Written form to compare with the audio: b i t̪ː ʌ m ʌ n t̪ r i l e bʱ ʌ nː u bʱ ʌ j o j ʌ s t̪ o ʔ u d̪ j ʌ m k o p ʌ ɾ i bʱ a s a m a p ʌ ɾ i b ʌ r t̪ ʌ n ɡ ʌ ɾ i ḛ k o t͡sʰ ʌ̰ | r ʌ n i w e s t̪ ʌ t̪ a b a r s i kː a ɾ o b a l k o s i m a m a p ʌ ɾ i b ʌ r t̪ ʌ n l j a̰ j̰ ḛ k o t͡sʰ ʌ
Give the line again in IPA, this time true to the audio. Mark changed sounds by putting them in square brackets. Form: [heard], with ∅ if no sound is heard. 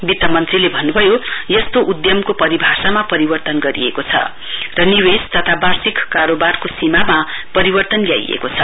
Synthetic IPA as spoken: b i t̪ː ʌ m ʌ n t̪ r i l e bʱ ʌ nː u bʱ ʌ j o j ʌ s t̪ o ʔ u d̪ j ʌ m k o p ʌ ɾ i bʱ a s a m a p ʌ ɾ i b ʌ r t̪ ʌ n ɡ ʌ ɾ i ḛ k o t͡sʰ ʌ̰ | r ʌ n i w e s t̪ ʌ [t̪ʰ] a b a r s i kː a ɾ o b a [r] k o s i m a m a p ʌ ɾ i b ʌ r t̪ ʌ n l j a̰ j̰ ḛ k o t͡sʰ ʌ